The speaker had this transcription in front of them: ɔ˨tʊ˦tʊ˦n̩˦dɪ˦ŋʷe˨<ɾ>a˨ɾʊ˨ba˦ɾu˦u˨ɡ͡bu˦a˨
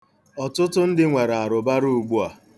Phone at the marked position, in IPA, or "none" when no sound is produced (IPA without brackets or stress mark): ɾ